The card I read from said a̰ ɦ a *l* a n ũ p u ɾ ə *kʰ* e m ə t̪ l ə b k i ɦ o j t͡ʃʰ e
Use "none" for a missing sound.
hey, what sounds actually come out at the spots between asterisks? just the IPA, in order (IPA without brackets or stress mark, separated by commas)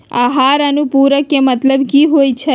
ɾ, k